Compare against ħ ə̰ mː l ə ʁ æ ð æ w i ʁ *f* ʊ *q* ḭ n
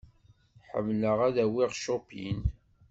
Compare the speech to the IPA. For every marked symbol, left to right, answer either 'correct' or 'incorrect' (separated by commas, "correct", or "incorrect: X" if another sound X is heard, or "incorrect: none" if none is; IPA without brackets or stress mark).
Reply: incorrect: ʃ, incorrect: p